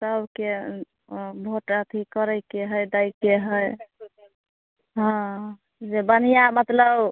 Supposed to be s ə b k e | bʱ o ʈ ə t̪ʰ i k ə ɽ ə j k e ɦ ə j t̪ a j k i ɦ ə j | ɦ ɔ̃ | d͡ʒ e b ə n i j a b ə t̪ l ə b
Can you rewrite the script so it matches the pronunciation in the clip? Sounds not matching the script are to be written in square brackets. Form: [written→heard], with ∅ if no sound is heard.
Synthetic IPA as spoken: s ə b k e | bʱ o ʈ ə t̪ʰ i k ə [ɽ→ɾ] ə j k e ɦ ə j [t̪→d̪] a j k [i→e] ɦ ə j | ɦ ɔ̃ | d͡ʒ e b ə n i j a [b→m] ə t̪ l ə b